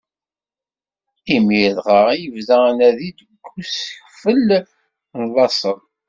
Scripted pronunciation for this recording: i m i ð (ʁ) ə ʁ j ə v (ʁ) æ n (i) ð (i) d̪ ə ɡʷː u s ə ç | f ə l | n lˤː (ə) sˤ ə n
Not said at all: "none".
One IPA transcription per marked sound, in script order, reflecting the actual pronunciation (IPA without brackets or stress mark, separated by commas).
ʁ, ð, æ, i, ɑ